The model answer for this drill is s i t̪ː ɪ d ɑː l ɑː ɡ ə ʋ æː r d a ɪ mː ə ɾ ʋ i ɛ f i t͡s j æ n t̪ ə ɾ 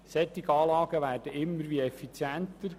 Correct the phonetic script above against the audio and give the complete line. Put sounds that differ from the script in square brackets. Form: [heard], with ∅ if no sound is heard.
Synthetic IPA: s [ɛ] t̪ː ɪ [ɡ] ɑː l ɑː ɡ ə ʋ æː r d [ə] ɪ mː ə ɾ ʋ i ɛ f i t͡s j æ n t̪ ə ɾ